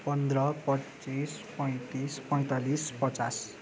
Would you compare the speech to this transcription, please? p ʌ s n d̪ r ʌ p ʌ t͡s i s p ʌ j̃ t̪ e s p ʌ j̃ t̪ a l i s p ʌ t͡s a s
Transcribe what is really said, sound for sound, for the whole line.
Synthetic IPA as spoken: p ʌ n d̪ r ʌ p ʌ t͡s i s p ʌ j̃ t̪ i s p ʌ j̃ t̪ a l i s p ʌ t͡s a s